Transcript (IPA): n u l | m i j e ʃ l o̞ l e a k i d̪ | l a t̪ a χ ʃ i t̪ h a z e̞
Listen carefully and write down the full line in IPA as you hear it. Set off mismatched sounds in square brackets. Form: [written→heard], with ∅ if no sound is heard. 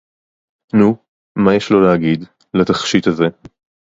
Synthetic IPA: n u [l→∅] | m [i→a] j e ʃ l o̞ l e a [k→ɡ] i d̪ | l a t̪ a χ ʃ i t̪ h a z e̞

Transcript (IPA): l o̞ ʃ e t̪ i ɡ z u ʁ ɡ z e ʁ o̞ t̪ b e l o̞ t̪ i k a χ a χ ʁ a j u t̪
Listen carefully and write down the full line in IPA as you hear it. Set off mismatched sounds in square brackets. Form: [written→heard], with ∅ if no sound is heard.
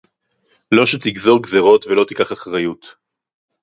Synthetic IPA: l o̞ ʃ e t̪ i ɡ z [u→o] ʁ ɡ z e ʁ o̞ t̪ [b→v] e l o̞ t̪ i k a χ a χ ʁ a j u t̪

